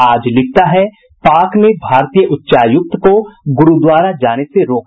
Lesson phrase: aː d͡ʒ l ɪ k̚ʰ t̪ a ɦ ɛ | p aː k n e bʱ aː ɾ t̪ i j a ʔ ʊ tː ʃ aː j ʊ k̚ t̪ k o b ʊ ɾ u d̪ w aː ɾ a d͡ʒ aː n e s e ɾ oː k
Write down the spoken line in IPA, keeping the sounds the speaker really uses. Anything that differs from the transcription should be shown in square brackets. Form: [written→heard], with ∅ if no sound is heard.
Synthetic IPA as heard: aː d͡ʒ l ɪ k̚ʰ t̪ a ɦ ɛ | p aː k n e bʱ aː ɾ t̪ i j [a→ə] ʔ ʊ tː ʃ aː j ʊ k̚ t̪ k o [b→ɡ] ʊ ɾ u d̪ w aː ɾ a d͡ʒ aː n e s e ɾ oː k